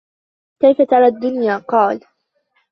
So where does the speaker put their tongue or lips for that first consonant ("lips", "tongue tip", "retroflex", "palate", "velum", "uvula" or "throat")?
velum